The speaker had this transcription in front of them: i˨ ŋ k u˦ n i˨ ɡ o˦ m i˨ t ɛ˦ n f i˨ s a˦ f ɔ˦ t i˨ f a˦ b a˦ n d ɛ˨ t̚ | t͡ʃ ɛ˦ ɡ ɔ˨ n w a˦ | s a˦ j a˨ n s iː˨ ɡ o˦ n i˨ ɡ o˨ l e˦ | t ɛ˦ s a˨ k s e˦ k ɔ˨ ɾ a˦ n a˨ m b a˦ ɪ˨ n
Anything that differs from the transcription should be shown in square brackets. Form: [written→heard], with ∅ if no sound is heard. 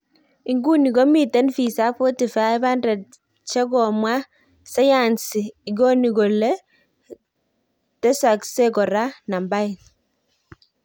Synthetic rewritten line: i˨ ŋ [k→ɡ] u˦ n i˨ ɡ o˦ m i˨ t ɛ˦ n f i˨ s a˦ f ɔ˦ t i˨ f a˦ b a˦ n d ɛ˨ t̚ | t͡ʃ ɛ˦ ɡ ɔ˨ [n→m] w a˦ | s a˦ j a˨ n s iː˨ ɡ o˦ n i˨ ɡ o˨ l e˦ | t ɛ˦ s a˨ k s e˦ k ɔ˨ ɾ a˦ n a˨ m b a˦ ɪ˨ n